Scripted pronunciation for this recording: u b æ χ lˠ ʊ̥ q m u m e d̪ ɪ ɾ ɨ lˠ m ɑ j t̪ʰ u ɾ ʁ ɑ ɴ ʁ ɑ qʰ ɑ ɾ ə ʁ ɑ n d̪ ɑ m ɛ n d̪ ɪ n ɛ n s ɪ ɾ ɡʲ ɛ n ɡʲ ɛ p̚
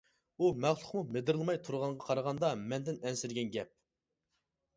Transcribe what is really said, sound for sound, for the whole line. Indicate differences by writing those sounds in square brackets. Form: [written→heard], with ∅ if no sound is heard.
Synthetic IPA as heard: u [b→m] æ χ lˠ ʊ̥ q m u m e d̪ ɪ ɾ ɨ lˠ m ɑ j t̪ʰ u ɾ ʁ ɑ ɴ ʁ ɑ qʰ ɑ ɾ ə ʁ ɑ n d̪ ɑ m ɛ n d̪ ɪ n ɛ n s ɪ ɾ ɡʲ ɛ n ɡʲ ɛ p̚

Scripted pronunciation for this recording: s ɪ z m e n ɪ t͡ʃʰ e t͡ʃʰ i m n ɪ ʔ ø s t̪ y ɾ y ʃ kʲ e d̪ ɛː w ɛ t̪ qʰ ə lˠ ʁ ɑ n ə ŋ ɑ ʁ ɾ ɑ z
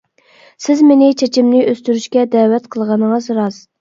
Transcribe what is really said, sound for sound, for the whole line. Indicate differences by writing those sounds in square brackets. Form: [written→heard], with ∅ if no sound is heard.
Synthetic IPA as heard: s ɪ z m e n ɪ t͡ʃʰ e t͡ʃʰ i m n ɪ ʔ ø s t̪ y ɾ y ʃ kʲ [e→ɛ] d̪ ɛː w ɛ t̪ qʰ ə lˠ ʁ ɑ n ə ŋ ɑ [ʁ→z] ɾ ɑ z

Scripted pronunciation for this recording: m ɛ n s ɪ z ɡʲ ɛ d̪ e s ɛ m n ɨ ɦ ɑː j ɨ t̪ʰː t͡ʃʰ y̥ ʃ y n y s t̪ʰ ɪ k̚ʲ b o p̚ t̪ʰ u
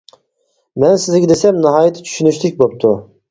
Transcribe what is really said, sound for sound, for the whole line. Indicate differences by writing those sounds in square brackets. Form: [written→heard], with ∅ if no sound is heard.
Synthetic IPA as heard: m ɛ n s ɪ z ɡʲ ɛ d̪ e s ɛ m n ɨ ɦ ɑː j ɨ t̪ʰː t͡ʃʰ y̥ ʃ y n y [s→ʃ] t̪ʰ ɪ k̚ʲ b o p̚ t̪ʰ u

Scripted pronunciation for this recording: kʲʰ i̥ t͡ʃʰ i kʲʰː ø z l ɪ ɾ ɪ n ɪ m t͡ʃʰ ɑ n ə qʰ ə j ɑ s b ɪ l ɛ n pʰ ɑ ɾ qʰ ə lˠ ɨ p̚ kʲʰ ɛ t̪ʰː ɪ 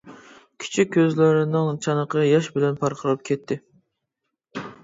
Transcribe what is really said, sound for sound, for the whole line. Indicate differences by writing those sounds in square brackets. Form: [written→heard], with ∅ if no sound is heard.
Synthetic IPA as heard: kʲʰ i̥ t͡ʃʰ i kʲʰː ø z l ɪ ɾ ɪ n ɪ [m→ŋ] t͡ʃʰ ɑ n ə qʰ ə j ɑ [s→ʃ] b ɪ l ɛ n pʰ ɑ ɾ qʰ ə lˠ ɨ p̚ kʲʰ ɛ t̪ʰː ɪ

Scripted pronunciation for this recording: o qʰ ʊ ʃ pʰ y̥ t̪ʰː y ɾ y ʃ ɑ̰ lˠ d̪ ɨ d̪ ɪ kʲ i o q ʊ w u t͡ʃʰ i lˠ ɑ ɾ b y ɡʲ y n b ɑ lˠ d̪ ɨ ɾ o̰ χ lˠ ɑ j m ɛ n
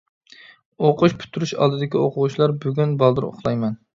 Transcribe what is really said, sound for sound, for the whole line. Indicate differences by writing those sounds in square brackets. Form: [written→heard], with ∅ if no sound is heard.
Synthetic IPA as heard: o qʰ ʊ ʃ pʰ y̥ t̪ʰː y ɾ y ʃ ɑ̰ lˠ d̪ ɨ d̪ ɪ kʲ i o q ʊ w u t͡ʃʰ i lˠ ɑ ɾ b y ɡʲ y n b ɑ lˠ d̪ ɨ ɾ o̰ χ lˠ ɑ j m ɛ n

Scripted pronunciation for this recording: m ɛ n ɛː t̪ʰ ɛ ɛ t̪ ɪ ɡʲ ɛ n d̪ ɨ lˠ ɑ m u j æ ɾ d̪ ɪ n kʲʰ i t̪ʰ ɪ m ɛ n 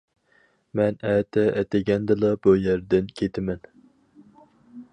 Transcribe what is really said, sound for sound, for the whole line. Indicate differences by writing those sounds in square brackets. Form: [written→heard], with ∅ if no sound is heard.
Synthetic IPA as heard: m ɛ n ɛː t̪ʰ ɛ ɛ t̪ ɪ ɡʲ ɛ n d̪ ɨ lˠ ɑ [m→b] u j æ ɾ d̪ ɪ n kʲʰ [i→e] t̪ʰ ɪ m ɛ n

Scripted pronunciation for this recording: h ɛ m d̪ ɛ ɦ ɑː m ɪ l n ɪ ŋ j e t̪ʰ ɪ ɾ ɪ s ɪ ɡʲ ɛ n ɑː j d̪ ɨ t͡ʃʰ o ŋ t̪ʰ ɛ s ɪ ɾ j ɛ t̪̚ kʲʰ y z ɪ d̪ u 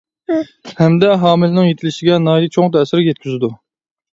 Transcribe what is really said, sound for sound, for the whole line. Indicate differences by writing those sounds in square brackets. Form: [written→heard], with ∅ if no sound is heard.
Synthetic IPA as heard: h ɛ m d̪ ɛ ɦ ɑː m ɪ l n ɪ ŋ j e t̪ʰ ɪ [ɾ→l] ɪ [s→ʃ] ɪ ɡʲ ɛ n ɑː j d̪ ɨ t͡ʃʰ o ŋ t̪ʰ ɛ s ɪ ɾ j ɛ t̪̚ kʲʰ y z ɪ d̪ u

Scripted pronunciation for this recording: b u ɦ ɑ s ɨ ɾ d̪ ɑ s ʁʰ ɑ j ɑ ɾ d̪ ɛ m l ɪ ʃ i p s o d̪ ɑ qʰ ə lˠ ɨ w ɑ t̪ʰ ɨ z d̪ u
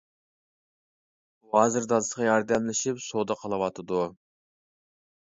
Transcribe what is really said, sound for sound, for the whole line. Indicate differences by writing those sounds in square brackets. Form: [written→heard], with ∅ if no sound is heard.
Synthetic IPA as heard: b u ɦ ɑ [s→z] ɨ ɾ d̪ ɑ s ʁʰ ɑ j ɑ ɾ d̪ ɛ m l ɪ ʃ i p s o d̪ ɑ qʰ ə lˠ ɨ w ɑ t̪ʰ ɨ [z→∅] d̪ u

